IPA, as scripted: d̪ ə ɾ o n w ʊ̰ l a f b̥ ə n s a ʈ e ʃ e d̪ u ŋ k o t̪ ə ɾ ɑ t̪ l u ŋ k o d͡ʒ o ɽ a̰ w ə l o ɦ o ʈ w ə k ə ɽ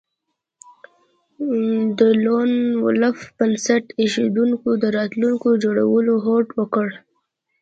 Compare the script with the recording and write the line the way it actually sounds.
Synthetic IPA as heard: d̪ ə l o n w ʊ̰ l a f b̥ ə n s a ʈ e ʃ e d̪ u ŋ k o d̪ ə ɾ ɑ t̪ l u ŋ k o d͡ʒ o ɽ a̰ w ə l o ɦ o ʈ w ə k ə ɽ